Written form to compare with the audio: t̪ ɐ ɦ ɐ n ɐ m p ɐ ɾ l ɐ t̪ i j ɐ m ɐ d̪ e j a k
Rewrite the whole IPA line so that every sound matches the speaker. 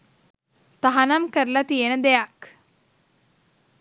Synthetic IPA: t̪ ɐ ɦ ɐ n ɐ m k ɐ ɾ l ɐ t̪ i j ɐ n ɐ d̪ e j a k